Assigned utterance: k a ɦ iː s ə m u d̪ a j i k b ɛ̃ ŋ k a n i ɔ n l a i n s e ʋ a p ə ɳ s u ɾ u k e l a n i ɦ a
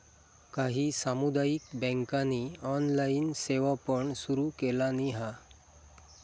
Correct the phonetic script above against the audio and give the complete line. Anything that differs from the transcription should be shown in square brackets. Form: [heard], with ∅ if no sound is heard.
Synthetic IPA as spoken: k a ɦ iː s [a] m u d̪ a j i k b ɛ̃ ŋ k a n i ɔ n l a i n s e ʋ a p ə ɳ s u ɾ u k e l a n i ɦ a

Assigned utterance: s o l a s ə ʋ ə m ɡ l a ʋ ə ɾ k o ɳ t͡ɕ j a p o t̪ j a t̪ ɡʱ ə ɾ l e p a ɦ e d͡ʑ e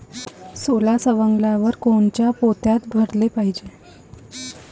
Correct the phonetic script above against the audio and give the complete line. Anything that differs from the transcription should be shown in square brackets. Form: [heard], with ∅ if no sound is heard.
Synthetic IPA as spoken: s o l a s ə ʋ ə [ŋ] ɡ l a ʋ ə ɾ k o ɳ t͡ɕ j a p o t̪ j a t̪ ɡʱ ə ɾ l e p a ɦ [i] d͡ʑ e

